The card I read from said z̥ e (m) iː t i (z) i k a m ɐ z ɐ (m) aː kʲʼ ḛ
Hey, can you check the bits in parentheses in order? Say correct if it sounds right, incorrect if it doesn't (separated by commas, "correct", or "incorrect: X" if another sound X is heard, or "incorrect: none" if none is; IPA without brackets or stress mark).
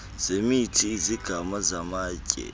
correct, correct, correct